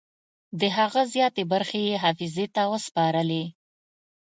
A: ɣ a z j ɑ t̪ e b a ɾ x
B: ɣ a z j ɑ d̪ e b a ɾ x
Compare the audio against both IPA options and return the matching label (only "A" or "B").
A